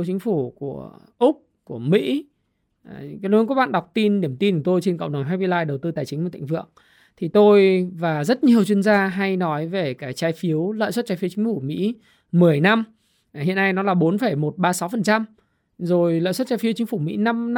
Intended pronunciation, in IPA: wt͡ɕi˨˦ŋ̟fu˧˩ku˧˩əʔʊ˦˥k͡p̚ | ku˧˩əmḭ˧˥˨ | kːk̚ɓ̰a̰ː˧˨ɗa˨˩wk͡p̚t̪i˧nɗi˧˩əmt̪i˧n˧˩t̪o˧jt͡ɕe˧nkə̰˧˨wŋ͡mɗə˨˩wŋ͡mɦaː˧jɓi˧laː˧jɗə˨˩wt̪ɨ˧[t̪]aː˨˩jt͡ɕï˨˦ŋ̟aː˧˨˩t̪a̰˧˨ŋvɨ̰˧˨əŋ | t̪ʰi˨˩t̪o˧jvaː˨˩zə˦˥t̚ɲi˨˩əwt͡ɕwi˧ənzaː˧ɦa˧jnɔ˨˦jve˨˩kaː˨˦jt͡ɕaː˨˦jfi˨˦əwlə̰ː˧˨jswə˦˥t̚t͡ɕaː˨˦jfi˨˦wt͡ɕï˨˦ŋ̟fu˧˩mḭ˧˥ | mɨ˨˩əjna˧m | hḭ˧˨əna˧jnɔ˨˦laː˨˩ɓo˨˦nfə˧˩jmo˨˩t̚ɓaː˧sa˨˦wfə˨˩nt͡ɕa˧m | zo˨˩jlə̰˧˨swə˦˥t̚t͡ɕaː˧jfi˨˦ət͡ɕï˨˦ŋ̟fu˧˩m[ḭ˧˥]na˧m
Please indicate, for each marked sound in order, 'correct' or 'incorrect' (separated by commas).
correct, correct